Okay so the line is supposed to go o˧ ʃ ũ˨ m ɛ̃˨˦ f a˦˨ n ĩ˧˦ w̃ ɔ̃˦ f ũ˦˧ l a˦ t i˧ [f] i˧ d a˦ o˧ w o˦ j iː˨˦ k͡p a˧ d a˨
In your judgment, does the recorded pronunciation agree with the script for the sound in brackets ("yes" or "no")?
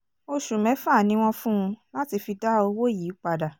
yes